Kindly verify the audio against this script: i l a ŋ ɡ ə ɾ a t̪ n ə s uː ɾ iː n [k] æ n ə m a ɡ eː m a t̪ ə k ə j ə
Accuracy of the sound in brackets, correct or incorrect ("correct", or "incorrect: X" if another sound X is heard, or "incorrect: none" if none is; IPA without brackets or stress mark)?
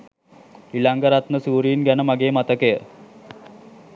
incorrect: ɡ